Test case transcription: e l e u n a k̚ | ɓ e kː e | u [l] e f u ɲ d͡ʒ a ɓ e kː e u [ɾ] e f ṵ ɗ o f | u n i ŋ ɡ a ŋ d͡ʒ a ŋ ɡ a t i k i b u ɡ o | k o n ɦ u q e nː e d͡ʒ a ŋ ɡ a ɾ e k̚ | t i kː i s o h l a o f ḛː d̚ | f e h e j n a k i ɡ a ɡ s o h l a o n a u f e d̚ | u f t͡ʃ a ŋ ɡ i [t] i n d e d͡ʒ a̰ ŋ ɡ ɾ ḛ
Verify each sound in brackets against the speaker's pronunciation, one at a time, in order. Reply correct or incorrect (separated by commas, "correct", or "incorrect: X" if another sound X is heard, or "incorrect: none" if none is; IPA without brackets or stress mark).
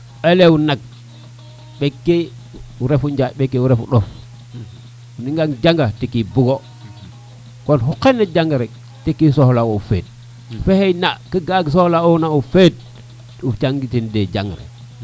incorrect: ɾ, correct, correct